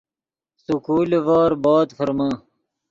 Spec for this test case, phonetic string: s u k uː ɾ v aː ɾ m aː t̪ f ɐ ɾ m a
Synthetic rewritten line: s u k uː l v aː ɾ b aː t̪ f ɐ ɾ m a